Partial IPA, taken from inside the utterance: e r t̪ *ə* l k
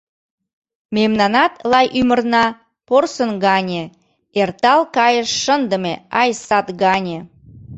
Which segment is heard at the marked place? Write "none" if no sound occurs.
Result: ɑ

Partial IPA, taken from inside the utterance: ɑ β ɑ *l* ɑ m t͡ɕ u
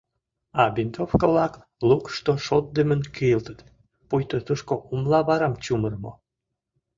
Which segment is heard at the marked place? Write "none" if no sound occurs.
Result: ɾ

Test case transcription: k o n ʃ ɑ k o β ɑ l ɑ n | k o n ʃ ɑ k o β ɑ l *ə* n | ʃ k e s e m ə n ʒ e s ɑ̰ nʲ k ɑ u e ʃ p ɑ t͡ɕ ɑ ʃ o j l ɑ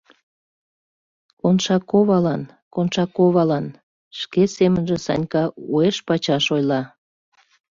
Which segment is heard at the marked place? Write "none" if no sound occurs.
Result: ɑ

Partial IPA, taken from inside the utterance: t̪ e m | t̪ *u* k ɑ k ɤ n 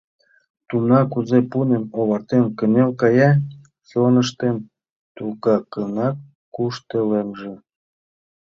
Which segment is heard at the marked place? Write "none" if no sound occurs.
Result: u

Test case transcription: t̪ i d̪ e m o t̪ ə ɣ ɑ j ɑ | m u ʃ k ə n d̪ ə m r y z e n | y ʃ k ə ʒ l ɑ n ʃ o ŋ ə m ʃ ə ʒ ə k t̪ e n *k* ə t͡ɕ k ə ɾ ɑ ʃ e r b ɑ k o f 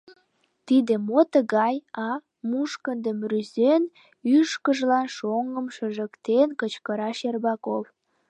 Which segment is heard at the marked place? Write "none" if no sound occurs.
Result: k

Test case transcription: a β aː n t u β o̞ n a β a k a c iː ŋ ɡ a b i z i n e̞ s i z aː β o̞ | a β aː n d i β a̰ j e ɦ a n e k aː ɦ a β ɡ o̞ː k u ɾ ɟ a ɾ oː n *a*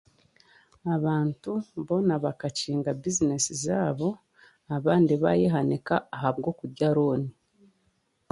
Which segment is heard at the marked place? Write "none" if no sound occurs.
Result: i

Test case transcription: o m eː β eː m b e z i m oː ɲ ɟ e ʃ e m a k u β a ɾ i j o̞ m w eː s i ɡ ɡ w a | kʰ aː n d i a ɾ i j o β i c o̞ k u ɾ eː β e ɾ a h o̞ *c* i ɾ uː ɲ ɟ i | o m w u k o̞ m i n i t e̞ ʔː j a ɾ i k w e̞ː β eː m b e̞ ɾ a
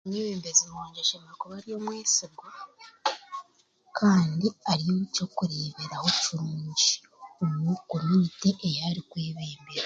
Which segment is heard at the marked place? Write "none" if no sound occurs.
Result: c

